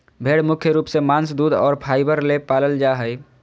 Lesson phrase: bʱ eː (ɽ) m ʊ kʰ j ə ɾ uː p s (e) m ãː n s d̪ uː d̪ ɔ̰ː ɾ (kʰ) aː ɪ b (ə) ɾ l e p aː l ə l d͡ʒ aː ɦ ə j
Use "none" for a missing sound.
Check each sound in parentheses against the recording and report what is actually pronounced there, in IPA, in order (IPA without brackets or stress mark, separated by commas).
ɽ, e, pʰ, ə